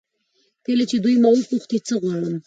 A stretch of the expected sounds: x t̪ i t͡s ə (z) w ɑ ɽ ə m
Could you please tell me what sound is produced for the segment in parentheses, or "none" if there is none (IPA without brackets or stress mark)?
ɣ